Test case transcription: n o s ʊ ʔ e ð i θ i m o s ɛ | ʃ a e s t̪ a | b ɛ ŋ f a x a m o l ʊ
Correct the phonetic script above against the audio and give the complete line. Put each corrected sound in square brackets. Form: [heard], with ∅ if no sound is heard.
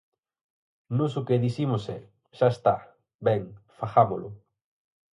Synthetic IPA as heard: n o s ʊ [k] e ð i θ i m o s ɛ | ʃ a e s t̪ a | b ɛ ŋ f a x a m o l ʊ